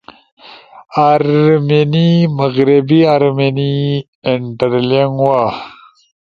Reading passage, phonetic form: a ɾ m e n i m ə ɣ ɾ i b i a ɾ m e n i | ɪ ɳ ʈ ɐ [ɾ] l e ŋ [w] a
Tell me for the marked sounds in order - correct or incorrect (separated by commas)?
correct, correct